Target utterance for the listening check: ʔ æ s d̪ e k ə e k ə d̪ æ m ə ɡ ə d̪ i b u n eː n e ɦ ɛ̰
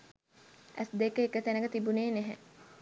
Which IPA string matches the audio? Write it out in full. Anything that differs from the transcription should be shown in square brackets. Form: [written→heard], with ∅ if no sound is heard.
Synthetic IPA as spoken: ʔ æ s d̪ e k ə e k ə [d̪→t̪] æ [m→n] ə ɡ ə [d̪→t̪] i b u n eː n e ɦ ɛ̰

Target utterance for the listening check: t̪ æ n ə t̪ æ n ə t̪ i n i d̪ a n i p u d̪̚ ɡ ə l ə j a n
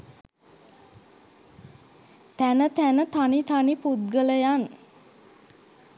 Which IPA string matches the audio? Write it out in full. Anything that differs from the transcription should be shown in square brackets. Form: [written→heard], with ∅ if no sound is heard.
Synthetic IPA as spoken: t̪ æ n ə t̪ æ n ə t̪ [i→a] n i [d̪→t̪] a n i p u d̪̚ ɡ ə l ə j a n

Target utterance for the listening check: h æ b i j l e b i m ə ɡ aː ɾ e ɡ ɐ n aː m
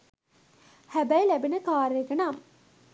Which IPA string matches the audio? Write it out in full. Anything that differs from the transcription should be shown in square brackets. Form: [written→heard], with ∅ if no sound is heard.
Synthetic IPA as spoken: h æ b [i→æ] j l [e→æ] b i [m→n] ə [ɡ→k] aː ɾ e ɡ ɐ n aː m

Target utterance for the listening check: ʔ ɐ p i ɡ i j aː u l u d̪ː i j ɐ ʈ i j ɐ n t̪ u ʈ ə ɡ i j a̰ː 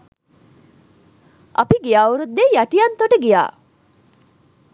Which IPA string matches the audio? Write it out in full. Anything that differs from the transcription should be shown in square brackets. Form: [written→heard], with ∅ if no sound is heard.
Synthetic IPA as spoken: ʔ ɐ p i ɡ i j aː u [l→ɾ] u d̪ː [i→e] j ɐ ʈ i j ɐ n t̪ [u→o] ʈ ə ɡ i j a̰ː

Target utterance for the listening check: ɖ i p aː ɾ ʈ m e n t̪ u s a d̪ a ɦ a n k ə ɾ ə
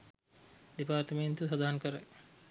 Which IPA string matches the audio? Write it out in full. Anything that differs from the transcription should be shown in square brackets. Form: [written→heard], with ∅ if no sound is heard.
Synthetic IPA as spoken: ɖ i p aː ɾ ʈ m e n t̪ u s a d̪ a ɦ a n k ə ɾ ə

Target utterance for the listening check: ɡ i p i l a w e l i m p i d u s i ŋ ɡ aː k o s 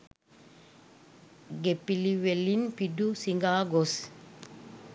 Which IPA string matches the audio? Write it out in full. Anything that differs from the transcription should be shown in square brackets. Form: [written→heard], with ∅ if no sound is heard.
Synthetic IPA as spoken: ɡ [i→e] p i l [a→i] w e l i [m→n] p i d u s i ŋ ɡ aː [k→ɡ] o s

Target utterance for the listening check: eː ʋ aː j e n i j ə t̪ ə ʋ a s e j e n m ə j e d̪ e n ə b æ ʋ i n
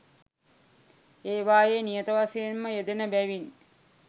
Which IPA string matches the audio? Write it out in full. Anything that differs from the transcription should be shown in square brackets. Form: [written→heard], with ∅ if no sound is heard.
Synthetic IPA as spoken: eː ʋ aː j e n i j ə t̪ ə ʋ a s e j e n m ə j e d̪ e n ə b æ ʋ i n

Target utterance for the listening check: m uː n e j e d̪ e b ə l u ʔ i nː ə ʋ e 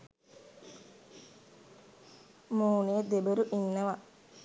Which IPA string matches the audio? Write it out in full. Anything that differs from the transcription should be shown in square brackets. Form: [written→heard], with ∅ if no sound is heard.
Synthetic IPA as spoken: m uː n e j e d̪ e b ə [l→ɾ] u ʔ i nː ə ʋ [e→a]

